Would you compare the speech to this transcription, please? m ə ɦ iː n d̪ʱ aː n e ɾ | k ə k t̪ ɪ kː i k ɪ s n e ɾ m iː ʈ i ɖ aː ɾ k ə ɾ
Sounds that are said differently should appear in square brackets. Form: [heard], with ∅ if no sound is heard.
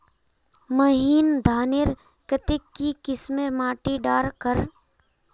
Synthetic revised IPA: m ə ɦ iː n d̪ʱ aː n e ɾ | k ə [∅] t̪ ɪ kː i k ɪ s [m] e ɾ m [aː] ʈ i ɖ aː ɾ k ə ɾ